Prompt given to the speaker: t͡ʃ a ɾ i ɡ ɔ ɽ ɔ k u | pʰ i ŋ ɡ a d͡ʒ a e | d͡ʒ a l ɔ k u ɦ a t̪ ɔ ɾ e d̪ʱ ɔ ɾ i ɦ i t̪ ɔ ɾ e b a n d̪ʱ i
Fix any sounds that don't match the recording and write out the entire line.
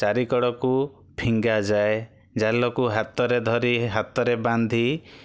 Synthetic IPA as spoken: t͡ʃ a ɾ i k ɔ ɽ ɔ k u | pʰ i ŋ ɡ a d͡ʒ a e | d͡ʒ a l ɔ k u ɦ a t̪ ɔ ɾ e d̪ʱ ɔ ɾ i ɦ a t̪ ɔ ɾ e b a n d̪ʱ i